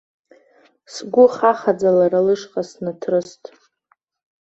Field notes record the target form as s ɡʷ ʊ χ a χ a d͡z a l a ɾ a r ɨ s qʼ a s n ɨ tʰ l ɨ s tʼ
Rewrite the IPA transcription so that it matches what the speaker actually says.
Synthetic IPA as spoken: s ɡʷ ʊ χ a χ a d͡z a l a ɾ a l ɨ ʂ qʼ a s n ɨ tʰ r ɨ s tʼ